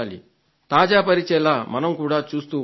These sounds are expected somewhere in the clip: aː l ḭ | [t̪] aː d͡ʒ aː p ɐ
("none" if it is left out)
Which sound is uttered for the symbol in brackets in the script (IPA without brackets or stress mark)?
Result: t̪